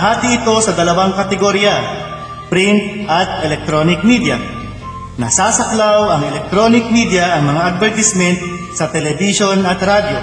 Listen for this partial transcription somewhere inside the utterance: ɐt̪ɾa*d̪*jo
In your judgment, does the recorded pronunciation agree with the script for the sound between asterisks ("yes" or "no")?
yes